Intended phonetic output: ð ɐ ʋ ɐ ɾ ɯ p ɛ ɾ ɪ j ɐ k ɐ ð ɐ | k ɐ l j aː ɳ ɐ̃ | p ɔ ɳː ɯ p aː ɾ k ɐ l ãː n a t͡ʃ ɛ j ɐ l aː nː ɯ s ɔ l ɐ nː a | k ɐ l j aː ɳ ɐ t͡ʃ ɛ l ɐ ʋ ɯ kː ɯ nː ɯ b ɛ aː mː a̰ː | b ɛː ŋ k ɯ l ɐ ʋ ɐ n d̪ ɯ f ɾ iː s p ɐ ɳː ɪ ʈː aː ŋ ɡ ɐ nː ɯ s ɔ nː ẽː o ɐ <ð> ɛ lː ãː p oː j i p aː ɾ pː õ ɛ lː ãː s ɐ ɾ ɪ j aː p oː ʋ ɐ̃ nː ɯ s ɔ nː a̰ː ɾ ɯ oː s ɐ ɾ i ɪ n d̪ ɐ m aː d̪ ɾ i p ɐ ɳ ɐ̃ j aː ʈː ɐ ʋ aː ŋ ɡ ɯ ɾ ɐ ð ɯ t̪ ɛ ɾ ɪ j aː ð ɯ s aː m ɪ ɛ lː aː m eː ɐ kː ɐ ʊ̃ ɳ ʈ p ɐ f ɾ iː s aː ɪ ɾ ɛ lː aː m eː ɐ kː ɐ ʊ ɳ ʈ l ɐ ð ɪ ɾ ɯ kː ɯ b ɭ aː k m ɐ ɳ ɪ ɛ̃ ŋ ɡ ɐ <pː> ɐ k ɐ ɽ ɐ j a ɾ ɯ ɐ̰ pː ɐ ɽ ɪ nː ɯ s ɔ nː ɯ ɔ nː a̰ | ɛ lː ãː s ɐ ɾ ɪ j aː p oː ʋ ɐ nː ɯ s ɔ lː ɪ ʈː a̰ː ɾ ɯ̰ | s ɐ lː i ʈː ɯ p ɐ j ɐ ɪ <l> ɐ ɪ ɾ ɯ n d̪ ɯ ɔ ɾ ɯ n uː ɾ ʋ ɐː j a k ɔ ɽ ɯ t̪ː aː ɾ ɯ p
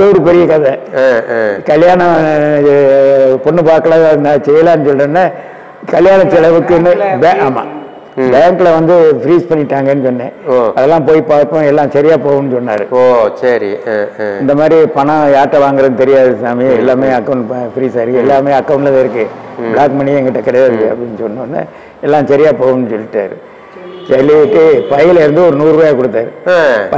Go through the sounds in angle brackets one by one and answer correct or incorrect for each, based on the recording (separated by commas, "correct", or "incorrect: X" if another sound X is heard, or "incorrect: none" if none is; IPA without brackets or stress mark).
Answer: correct, incorrect: ʈː, correct